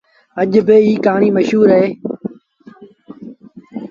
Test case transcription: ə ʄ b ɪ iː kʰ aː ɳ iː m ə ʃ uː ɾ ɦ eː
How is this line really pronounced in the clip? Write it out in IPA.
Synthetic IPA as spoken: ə ʄ b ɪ iː k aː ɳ iː m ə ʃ uː ɾ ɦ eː

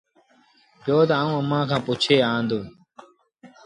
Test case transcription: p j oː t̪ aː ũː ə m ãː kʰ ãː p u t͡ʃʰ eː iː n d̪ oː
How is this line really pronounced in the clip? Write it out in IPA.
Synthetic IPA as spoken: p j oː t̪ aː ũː ə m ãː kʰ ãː p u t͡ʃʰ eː aː n d̪ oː

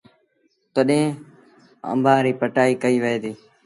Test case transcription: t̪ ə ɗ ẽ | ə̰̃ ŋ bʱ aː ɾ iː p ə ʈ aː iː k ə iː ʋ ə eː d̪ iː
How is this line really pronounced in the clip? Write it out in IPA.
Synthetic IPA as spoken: t̪ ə ɗ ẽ | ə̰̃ m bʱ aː ɾ iː p ə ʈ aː iː k ə iː ʋ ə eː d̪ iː

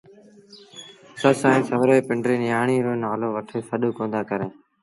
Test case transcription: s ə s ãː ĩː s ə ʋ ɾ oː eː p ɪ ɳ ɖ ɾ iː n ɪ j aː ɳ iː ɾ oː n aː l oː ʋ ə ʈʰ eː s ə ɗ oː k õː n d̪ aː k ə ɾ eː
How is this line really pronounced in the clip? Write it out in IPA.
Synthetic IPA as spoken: s ə s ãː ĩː s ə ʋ ɾ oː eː p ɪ ɳ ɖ ɾ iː n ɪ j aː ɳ iː ɾ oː n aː l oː ʋ ə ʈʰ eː s ə ɗ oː k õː n d̪ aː k ə ɾ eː

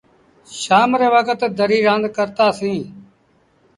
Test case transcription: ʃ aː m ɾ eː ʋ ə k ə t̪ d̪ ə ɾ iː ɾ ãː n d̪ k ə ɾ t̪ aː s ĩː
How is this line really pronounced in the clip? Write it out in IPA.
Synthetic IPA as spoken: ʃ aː m ɾ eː ʋ ə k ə t̪ d̪ ə ɾ iː ɾ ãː n d̪ k ə ɾ t̪ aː s ĩː

